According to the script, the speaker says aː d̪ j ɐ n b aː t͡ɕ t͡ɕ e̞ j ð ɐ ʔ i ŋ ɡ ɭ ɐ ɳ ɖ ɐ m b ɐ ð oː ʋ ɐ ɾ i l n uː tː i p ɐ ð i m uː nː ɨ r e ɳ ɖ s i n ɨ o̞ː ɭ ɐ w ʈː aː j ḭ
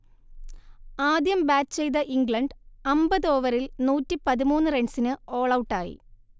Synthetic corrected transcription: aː d̪ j ɐ m b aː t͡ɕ t͡ɕ e̞ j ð ɐ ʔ i ŋ ɡ ɭ ɐ ɳ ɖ ɐ m b ɐ ð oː ʋ ɐ ɾ i l n uː tː i p ɐ ð i m uː nː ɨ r e ɳ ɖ s i n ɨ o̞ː ɭ ɐ w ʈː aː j ḭ